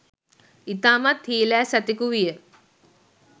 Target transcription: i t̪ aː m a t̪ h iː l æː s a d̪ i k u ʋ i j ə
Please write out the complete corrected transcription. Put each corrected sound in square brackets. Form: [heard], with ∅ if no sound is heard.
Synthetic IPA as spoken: i t̪ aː m a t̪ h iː l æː s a [t̪] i k u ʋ i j ə